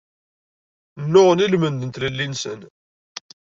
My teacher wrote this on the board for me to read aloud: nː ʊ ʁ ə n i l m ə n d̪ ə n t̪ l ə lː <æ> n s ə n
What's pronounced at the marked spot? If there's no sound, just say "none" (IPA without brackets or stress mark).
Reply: i